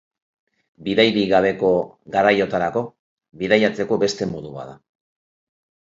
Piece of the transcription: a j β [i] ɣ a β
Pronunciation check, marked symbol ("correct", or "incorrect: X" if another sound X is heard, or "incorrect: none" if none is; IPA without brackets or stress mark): correct